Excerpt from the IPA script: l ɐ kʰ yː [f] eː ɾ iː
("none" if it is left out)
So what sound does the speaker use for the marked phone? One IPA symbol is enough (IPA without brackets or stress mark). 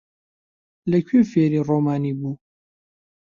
f